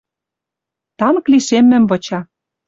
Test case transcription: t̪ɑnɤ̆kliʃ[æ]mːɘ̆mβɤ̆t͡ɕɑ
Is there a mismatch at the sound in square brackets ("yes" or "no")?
yes